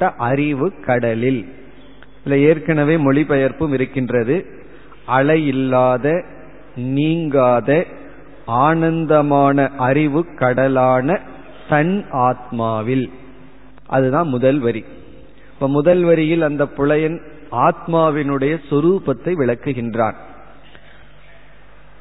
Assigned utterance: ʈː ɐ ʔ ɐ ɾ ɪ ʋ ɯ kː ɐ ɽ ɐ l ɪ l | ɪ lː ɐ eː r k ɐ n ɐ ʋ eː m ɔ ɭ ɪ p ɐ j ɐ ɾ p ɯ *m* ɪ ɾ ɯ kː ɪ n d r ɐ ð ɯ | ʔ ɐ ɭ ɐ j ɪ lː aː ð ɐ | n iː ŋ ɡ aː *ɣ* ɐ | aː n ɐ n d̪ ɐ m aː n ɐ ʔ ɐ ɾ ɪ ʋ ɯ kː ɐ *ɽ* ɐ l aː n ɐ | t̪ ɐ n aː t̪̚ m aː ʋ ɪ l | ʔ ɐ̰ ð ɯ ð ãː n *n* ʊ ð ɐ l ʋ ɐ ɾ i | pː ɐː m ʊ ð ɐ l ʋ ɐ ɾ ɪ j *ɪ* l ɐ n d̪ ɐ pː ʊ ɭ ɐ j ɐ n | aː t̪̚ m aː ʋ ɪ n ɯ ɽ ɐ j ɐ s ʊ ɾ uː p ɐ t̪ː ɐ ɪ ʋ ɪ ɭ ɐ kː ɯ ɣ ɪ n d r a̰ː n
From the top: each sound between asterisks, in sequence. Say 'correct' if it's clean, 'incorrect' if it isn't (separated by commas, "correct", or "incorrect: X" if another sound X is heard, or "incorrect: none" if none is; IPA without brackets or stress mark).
correct, incorrect: ð, correct, incorrect: m, correct